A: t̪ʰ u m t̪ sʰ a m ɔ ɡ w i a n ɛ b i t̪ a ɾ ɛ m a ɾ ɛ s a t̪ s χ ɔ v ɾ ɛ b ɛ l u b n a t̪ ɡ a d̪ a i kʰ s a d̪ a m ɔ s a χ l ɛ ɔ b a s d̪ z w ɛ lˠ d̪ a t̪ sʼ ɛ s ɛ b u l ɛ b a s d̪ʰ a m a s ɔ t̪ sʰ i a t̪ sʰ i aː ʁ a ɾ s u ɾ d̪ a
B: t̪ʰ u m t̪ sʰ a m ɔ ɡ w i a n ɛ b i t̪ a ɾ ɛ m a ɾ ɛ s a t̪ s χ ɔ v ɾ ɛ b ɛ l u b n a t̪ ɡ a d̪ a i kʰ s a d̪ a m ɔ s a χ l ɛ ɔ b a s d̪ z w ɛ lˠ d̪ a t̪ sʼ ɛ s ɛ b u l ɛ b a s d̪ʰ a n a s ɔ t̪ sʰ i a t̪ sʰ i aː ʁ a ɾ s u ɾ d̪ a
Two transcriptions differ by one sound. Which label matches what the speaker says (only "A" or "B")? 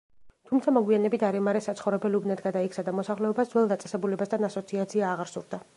B